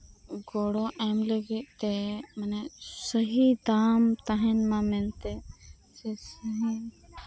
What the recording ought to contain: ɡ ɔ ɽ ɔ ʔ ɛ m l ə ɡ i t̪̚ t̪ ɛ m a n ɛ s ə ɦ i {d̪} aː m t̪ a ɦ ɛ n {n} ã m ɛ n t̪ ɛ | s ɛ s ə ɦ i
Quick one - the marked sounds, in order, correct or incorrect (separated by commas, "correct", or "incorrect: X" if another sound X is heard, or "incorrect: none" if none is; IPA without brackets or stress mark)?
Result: correct, incorrect: m